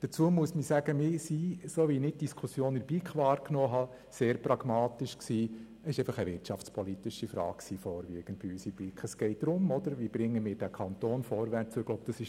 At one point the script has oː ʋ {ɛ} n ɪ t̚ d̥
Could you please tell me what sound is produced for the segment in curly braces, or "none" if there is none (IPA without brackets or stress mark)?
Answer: i